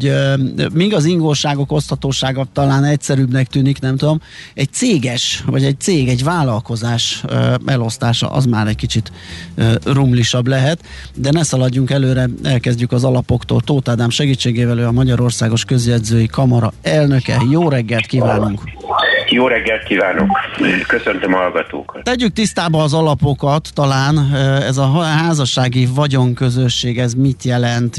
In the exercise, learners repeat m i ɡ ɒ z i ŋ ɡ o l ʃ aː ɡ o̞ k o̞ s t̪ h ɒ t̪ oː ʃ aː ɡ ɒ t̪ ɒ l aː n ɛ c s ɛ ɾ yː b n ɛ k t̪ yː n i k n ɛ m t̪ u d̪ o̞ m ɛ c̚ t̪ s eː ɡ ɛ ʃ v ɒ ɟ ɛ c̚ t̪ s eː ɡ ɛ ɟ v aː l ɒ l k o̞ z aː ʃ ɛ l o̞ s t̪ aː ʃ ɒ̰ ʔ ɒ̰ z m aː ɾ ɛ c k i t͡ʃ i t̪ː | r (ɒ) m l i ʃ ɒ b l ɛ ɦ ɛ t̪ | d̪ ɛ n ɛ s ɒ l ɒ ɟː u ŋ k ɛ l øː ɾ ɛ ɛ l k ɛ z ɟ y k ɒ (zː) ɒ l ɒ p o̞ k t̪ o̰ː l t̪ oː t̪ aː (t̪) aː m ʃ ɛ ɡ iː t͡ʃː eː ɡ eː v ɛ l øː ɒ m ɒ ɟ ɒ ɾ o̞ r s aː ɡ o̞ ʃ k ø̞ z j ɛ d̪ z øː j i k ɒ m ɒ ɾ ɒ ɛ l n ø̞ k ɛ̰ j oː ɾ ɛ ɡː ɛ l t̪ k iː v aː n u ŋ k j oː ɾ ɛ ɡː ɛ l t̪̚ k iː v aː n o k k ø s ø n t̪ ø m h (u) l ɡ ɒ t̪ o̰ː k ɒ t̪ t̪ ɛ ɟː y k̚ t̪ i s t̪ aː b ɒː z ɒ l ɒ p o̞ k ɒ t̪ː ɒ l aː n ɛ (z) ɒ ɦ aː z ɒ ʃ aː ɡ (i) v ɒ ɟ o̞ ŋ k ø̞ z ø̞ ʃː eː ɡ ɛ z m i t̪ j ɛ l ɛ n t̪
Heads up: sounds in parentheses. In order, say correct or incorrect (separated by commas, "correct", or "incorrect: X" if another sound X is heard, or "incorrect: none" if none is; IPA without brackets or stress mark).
incorrect: u, incorrect: z, incorrect: d̪, incorrect: ɒ, correct, correct